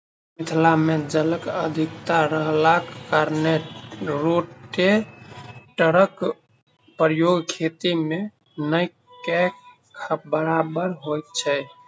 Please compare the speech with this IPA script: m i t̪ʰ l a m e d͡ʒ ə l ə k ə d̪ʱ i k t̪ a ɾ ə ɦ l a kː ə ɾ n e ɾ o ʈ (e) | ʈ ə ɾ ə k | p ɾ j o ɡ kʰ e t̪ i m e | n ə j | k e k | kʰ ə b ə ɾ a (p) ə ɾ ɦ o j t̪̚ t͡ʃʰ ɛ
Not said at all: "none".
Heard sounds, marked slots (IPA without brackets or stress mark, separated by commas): e, b